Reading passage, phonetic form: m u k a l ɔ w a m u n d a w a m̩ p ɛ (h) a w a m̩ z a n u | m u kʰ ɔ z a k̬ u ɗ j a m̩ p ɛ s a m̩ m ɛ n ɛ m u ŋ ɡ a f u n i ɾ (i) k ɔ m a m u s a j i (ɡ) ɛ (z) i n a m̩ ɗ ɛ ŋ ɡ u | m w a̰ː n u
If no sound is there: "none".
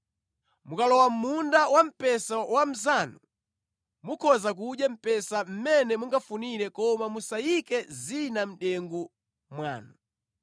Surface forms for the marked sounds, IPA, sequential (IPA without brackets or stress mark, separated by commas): s, ɛ, k, z